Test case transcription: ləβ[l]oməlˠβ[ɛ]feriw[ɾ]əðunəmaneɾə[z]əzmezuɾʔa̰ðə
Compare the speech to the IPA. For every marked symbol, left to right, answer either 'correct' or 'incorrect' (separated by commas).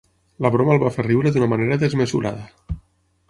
incorrect, incorrect, correct, incorrect